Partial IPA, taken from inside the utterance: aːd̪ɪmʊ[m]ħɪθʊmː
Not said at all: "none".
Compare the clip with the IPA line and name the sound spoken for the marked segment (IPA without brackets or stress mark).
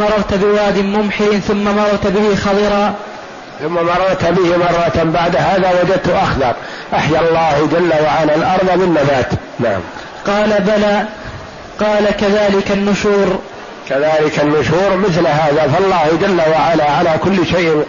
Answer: m